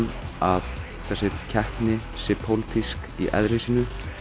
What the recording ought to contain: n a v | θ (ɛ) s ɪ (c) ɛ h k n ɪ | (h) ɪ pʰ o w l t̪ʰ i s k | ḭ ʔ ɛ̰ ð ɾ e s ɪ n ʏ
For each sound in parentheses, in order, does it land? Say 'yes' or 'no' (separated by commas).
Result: yes, no, no